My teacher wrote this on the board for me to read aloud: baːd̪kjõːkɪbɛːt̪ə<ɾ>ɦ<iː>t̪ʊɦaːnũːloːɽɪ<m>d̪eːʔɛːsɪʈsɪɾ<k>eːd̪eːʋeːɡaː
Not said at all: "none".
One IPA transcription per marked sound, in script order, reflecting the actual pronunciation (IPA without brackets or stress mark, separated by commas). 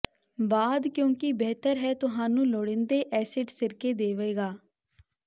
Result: ɾ, ɛː, n, k